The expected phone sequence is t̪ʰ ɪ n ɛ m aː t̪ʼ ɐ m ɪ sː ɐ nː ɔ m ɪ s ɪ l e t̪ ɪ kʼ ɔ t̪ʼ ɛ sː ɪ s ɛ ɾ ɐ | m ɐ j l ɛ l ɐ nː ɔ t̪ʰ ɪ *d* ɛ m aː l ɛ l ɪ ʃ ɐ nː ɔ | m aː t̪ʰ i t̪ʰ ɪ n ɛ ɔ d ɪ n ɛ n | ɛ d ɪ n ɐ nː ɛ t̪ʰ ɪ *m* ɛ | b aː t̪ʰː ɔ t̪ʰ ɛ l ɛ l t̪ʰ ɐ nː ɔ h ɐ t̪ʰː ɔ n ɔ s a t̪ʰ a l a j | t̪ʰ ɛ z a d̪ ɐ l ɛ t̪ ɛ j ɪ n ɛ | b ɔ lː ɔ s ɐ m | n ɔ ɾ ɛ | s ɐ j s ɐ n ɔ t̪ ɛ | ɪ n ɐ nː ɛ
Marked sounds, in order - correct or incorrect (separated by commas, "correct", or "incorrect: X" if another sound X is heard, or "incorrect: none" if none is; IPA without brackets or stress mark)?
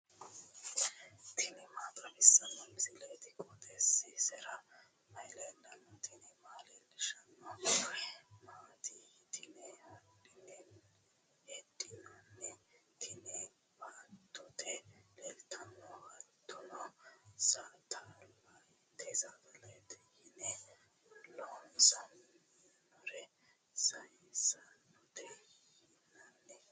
incorrect: n, incorrect: n